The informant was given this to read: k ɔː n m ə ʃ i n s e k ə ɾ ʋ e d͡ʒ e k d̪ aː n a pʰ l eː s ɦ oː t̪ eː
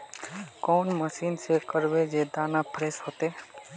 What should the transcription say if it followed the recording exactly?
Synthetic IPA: k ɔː n m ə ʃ iː n s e k ə ɾ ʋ e d͡ʒ e d̪ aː n a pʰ ɾ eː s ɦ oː t̪ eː